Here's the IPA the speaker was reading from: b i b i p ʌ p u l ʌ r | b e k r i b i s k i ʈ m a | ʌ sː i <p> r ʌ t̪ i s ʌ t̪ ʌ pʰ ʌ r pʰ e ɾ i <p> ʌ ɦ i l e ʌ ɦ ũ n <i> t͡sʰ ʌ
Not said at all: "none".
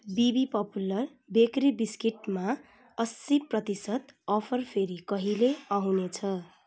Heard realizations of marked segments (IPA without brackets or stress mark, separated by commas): p, k, e